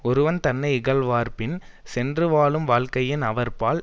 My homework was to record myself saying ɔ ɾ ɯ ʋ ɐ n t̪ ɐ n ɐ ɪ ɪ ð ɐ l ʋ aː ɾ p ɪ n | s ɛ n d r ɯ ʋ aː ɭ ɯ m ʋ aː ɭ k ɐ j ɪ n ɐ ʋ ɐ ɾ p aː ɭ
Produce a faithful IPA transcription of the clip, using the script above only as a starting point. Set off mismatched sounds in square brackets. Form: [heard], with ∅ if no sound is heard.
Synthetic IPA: ɔ ɾ ɯ ʋ ɐ n t̪ ɐ [nː] ɐ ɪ ɪ [ɣ] ɐ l ʋ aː ɾ p ɪ n | s ɛ n d r ɯ ʋ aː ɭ ɯ m ʋ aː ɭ k ɐ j ɪ n ɐ ʋ ɐ ɾ p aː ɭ